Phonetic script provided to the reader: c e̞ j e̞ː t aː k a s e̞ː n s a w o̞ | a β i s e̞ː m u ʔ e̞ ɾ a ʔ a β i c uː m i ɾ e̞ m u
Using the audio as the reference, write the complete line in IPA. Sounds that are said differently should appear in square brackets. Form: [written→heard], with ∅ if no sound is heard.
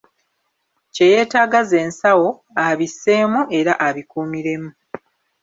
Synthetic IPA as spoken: c e̞ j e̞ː t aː [k→ɡ] a [s→z] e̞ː n s a w o̞ | a β i s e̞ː m u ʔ e̞ ɾ a ʔ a β i [c→k] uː m i ɾ e̞ m u